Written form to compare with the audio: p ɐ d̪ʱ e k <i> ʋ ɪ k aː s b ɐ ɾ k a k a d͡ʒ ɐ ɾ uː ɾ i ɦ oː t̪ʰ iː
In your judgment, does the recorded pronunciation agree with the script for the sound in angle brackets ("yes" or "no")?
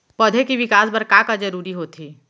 yes